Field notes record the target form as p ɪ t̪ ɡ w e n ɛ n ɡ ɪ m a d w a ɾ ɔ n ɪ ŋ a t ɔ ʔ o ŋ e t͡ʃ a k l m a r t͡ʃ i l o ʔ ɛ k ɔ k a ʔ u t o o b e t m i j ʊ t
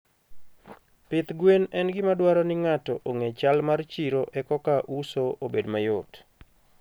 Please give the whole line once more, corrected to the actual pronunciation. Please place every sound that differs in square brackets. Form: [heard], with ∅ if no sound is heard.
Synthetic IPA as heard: p ɪ t̪ ɡ w e n ɛ n ɡ ɪ m a d w a ɾ ɔ n ɪ ŋ a t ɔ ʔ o ŋ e t͡ʃ a [∅] l m a r t͡ʃ i [ɾ] o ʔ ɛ k ɔ k a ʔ u [s] o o b e [d] m [a] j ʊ t